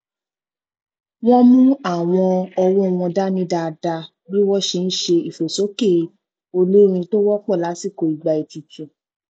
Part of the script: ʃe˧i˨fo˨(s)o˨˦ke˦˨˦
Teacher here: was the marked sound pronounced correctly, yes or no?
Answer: yes